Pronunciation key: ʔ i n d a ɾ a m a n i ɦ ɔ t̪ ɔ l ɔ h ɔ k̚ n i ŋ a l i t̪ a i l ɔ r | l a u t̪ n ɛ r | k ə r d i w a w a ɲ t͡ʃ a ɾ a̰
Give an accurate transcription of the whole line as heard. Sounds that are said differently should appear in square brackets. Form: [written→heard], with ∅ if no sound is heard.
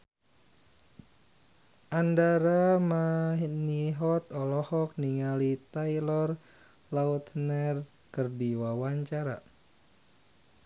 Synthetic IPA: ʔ [i→a] n d a ɾ a m a n i ɦ ɔ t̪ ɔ l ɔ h ɔ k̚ n i ŋ a l i t̪ a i l ɔ r | l a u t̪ n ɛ r | k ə r d i w a w a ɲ t͡ʃ a ɾ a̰